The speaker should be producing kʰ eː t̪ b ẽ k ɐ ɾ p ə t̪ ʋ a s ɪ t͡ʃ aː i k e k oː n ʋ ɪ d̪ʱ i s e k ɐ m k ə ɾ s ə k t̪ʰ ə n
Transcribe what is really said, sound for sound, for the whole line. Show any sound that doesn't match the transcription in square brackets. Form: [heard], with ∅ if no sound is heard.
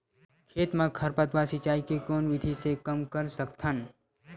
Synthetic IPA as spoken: kʰ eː t̪ [m] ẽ [kʰ] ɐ ɾ p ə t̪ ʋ a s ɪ t͡ʃ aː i k e k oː n ʋ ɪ d̪ʱ i s e k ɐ m k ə ɾ s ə k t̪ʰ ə n